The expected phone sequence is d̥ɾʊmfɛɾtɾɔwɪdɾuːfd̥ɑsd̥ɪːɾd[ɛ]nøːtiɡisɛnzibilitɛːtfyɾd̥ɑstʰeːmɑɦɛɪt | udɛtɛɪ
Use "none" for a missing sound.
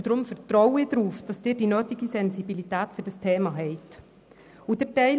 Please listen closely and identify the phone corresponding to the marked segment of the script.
i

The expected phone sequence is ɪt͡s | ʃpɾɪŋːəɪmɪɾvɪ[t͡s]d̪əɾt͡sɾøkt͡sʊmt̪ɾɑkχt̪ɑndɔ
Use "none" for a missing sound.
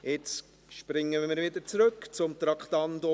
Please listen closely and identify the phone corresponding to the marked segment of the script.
none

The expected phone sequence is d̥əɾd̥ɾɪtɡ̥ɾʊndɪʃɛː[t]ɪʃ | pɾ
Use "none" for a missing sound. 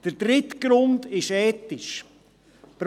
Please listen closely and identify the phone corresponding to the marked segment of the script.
t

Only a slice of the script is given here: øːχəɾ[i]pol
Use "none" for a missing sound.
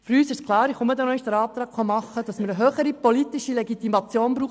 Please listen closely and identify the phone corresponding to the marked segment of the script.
i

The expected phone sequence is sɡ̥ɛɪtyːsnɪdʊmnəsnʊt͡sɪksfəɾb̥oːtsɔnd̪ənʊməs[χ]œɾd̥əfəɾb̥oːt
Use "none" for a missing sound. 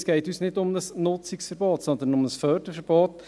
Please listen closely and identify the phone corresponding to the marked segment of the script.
f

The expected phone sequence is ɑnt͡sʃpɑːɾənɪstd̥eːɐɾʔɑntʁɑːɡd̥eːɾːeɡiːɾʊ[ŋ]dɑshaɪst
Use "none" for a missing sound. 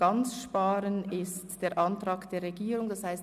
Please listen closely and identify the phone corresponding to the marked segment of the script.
ŋ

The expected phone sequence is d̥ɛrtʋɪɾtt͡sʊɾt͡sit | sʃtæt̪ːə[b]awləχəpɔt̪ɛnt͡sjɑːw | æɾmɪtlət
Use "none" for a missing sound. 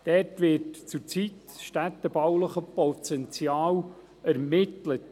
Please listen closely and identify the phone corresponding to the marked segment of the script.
b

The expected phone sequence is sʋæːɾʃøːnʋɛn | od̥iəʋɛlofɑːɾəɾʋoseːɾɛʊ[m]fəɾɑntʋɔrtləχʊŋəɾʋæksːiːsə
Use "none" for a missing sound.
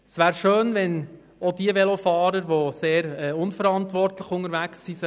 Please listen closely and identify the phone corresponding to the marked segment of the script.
n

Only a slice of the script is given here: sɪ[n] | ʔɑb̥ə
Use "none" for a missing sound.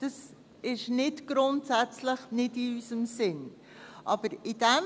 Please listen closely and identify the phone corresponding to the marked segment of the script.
n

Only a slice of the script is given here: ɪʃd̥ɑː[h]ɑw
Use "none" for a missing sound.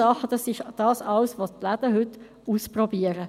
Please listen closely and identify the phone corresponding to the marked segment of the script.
s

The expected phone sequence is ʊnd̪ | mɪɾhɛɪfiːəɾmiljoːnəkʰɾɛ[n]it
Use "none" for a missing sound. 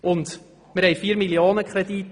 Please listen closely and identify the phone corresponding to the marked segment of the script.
d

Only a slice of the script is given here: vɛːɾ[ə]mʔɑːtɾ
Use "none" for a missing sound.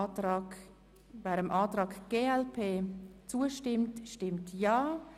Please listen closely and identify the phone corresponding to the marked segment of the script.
ə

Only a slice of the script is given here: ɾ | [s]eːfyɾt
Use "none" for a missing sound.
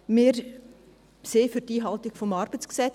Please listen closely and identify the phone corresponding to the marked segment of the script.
s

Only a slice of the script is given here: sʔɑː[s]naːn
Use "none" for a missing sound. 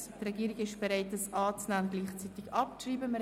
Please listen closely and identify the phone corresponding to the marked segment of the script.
t͡s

